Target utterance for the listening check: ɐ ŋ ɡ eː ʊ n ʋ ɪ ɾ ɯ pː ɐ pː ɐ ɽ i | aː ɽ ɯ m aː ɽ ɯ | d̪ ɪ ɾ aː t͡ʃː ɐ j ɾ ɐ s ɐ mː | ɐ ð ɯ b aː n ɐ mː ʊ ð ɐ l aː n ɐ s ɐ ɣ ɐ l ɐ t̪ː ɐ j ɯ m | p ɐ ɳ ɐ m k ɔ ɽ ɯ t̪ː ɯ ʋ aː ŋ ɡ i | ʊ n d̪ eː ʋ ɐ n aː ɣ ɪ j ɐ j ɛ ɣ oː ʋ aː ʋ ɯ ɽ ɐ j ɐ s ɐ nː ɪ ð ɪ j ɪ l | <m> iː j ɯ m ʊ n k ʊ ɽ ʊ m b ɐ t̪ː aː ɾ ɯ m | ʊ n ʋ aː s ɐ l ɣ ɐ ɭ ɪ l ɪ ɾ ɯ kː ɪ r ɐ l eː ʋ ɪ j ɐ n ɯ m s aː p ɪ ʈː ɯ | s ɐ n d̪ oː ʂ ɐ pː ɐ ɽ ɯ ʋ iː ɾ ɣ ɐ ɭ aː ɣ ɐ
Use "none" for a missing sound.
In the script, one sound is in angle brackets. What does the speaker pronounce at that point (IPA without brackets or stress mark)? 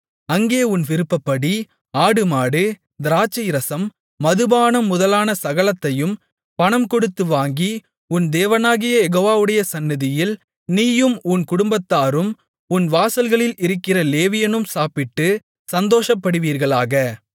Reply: n